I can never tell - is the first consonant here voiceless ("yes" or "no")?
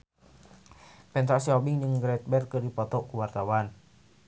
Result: yes